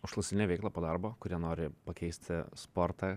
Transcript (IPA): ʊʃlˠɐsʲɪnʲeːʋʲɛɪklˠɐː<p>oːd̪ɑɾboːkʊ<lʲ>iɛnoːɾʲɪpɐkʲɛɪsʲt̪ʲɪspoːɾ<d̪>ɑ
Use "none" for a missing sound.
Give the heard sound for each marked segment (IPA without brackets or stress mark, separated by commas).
p, ɾʲ, t̪